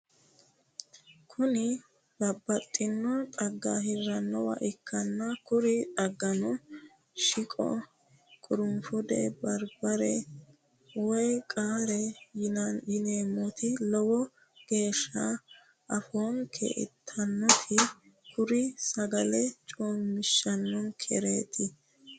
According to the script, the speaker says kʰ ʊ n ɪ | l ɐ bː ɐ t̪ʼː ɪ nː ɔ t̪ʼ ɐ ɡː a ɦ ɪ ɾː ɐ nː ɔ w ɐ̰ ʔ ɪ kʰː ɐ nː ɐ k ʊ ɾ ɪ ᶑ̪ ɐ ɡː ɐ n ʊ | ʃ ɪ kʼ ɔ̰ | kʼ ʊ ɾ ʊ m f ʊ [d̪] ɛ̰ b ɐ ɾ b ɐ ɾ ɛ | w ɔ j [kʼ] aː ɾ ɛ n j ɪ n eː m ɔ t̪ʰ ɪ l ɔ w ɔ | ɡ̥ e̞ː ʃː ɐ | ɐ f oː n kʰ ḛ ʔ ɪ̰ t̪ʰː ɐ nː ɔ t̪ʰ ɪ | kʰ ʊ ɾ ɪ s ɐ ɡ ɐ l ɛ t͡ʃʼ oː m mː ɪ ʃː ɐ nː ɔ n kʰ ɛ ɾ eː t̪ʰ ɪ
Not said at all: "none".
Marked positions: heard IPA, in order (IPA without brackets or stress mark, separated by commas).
d̪, kʼ